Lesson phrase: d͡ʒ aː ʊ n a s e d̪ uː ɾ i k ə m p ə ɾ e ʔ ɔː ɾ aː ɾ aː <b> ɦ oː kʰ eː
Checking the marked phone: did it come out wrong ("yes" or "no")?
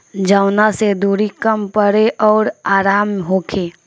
yes